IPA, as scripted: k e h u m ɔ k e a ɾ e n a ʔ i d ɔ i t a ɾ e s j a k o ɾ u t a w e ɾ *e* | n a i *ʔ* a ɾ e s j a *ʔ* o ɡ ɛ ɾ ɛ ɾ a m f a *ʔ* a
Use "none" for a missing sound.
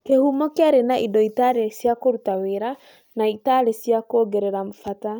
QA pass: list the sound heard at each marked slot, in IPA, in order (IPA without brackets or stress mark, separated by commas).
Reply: a, t, k, t